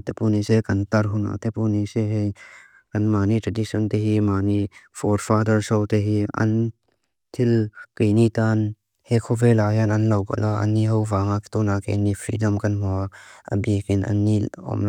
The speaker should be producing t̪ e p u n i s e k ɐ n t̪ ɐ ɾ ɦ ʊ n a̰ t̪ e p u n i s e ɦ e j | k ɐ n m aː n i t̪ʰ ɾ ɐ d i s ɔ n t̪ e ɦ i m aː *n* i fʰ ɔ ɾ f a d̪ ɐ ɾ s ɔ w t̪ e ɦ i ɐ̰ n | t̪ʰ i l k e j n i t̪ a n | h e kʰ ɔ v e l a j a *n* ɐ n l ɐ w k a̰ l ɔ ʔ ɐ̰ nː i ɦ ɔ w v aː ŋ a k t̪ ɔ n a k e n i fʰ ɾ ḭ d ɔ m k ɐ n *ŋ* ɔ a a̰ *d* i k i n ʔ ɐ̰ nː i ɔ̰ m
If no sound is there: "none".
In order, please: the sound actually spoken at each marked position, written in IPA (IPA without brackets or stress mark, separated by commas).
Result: n, n, m, b